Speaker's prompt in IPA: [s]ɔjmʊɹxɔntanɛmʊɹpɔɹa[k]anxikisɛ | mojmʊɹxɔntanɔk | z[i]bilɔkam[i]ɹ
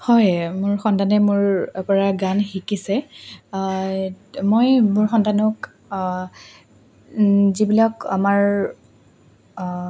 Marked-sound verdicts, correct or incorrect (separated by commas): incorrect, incorrect, correct, incorrect